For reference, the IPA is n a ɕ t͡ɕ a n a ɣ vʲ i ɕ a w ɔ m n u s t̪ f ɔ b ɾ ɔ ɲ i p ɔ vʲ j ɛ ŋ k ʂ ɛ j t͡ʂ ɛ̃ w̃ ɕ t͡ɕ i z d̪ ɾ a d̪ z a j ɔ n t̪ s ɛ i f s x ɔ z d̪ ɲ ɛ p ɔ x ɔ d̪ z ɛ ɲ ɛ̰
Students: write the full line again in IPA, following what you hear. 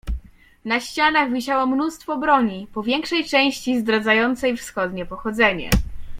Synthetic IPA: n a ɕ t͡ɕ a n a ɣ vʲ i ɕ a w ɔ m n u s t̪ f ɔ b ɾ ɔ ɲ i p ɔ vʲ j ɛ ŋ k ʂ ɛ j t͡ʂ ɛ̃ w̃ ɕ t͡ɕ i z d̪ ɾ a d̪ z a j ɔ n t̪ s ɛ j f s x ɔ d̪ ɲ ɛ p ɔ x ɔ d̪ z ɛ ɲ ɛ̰